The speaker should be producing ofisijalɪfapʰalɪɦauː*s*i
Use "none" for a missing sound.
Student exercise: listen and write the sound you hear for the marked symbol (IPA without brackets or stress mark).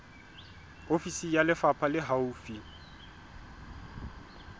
f